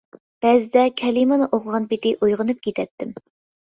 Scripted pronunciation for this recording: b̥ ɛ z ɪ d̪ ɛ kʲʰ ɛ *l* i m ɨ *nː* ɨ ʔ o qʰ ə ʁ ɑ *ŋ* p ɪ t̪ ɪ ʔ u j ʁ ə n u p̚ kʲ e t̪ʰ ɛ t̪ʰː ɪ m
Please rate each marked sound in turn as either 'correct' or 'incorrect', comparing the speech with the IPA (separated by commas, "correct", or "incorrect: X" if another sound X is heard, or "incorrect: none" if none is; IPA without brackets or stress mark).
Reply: correct, incorrect: n, incorrect: n